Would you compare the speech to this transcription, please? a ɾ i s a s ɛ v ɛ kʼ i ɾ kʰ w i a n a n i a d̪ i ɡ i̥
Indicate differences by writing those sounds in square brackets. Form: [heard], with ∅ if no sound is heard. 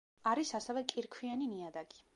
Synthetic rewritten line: a ɾ i s a s ɛ v ɛ kʼ i ɾ kʰ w i a n [i] n i a d̪ [a] ɡ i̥